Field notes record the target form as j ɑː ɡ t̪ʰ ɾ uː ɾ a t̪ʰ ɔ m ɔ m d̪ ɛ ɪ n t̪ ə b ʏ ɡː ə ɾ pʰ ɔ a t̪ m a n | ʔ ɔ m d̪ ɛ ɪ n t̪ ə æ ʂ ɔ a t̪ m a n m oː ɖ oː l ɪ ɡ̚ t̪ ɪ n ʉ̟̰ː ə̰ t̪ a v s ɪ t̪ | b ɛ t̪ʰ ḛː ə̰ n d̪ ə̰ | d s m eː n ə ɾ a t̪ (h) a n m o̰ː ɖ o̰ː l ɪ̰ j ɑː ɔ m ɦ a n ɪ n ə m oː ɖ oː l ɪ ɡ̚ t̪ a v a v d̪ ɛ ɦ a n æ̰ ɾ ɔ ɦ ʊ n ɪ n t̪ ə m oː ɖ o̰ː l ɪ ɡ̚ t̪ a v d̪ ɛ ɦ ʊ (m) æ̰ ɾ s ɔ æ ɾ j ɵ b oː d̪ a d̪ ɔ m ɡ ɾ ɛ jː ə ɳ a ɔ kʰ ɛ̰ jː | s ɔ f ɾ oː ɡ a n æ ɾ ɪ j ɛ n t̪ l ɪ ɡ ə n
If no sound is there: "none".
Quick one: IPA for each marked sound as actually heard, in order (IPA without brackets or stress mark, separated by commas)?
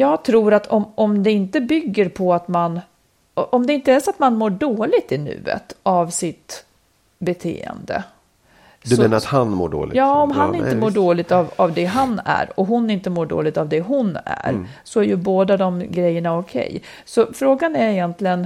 h, n